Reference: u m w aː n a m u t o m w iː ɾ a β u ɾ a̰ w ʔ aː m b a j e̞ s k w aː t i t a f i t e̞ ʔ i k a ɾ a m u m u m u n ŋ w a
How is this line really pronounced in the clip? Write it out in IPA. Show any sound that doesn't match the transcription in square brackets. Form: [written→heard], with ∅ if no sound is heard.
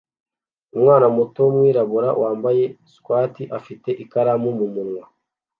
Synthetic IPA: u m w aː n a m u t o m w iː ɾ a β u ɾ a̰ w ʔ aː m b a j e̞ s k w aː t i [t→ʔ] a f i t e̞ ʔ i k a ɾ a m u m u m u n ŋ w a

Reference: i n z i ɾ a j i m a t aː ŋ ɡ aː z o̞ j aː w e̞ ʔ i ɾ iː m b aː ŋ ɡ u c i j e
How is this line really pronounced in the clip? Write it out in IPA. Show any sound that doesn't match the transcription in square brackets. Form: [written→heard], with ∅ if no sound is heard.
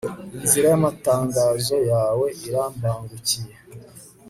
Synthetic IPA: i n z i ɾ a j [i→a] m a t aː ŋ ɡ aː z o̞ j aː w e̞ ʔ i ɾ [iː→aː] m b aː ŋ ɡ u c i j e

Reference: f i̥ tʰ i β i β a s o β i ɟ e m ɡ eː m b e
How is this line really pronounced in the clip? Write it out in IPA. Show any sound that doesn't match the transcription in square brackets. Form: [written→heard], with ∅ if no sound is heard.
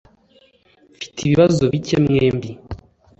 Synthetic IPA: f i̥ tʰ i β i β a [s→z] o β i [ɟ→c] e m [ɡ→ŋ] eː m b [e→i]

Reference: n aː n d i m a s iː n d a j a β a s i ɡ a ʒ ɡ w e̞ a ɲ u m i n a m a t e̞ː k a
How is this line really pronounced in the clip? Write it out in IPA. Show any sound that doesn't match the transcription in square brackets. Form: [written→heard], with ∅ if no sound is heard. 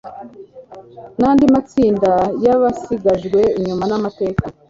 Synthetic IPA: n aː n d i m a [s→t͡s] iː n d a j a β a s i ɡ a ʒ ɡ w e̞ [a→i] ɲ u m [i→a] n a m a t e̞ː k a

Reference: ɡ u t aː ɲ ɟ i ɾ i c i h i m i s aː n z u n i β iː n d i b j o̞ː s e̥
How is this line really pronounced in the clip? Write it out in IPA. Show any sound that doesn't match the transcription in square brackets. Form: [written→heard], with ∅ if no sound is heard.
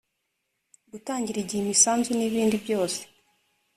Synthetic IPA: ɡ u t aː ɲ ɟ i ɾ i [c→ɟ] i h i m i s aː n z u n i β iː n d i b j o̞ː s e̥

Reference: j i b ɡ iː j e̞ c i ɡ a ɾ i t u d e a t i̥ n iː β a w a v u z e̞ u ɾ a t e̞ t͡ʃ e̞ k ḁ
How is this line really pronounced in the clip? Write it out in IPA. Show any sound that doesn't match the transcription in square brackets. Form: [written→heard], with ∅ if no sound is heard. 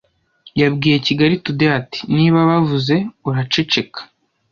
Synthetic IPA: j [i→a] b ɡ iː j e̞ c i ɡ a ɾ i t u d e a t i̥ n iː β a [w→β] a v u z e̞ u ɾ a [t→t͡ʃ] e̞ t͡ʃ e̞ k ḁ

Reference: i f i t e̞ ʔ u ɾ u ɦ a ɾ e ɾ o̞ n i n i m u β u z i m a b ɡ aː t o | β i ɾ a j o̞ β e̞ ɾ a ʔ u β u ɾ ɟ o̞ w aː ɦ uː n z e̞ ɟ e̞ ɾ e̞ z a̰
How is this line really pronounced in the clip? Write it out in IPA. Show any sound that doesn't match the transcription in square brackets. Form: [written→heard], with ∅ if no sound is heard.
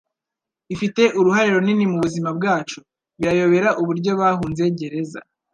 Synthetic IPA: i f i t e̞ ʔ u ɾ u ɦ a ɾ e ɾ o̞ n i n i m u β u z i m a b ɡ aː [t→t͡ʃ] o | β i ɾ a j o̞ β e̞ ɾ a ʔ u β u ɾ ɟ o̞ [w→β] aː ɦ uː n z e̞ ɟ e̞ ɾ e̞ z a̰

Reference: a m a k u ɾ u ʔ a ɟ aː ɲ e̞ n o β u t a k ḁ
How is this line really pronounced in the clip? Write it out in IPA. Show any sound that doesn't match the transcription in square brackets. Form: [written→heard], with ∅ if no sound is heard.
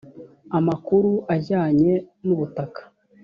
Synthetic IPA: a m a k u ɾ u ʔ a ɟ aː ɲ e̞ n [o→u] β u t a k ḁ

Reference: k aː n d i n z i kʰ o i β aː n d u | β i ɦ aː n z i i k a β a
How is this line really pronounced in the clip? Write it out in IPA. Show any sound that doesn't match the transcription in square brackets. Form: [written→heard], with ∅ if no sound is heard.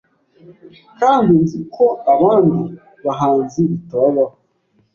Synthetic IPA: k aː n d i n z i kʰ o [i→a] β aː n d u | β [i→a] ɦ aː n z i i [k→t] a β a

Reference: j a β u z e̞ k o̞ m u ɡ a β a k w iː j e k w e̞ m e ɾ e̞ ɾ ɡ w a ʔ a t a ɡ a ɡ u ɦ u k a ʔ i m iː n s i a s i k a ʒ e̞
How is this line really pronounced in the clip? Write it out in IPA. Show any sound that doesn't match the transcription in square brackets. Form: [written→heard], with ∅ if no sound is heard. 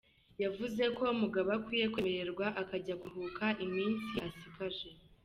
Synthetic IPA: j a [β→v] u z e̞ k o̞ m u ɡ a β a k w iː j e k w e̞ m e ɾ e̞ ɾ ɡ w a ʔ a [t→k] a [ɡ→ɟ] a ɡ u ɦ u k a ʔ i m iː n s i a s i k a ʒ e̞

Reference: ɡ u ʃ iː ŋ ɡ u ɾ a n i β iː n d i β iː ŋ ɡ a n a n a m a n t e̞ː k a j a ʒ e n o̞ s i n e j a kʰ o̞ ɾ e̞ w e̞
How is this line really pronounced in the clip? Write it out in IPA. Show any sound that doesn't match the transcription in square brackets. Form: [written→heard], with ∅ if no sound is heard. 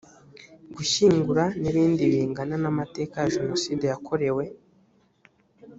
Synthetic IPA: ɡ u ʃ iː ŋ ɡ u ɾ a n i β iː n d i β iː ŋ ɡ a n a n a m a [n→∅] t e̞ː k a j a ʒ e n o̞ s i [n→d] e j a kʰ o̞ ɾ e̞ w e̞

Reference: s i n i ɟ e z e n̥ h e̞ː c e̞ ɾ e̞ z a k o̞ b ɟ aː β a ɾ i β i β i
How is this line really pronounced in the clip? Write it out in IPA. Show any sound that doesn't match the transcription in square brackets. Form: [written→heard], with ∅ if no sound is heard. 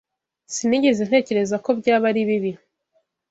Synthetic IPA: s i n i ɟ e z e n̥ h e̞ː c e̞ ɾ e̞ z a k o̞ b ɟ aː β a ɾ i β i β i

